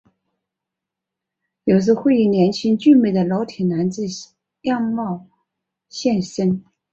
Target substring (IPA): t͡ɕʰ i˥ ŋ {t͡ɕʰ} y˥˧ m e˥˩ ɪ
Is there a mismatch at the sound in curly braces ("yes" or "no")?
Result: yes